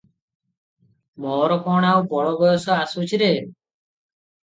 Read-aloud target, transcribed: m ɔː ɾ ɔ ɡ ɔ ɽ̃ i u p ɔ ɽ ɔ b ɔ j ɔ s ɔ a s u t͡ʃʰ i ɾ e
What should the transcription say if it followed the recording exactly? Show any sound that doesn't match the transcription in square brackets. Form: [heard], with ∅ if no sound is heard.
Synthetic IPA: m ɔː ɾ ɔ [k] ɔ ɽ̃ [a] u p ɔ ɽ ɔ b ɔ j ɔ s ɔ a s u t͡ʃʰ i ɾ e